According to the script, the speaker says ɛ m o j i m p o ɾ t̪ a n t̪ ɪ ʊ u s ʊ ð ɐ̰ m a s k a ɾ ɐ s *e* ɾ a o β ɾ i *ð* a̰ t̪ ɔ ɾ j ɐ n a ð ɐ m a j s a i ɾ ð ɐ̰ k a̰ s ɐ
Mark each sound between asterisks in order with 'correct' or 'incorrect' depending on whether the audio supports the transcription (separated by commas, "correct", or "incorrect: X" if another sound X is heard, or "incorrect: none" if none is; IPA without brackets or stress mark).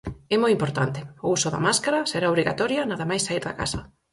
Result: correct, incorrect: ɣ